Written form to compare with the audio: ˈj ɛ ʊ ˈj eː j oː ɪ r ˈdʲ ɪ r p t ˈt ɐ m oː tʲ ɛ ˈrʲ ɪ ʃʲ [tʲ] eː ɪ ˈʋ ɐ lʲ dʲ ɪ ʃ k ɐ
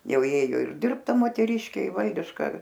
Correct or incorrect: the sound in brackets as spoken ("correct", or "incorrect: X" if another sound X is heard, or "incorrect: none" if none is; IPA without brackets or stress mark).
incorrect: kʲ